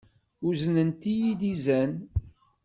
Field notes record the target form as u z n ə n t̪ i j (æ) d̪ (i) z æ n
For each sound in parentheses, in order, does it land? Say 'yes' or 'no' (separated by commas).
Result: no, yes